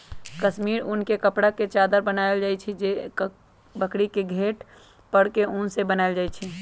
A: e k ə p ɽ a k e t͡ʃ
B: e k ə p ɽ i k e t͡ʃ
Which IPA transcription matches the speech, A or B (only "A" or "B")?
A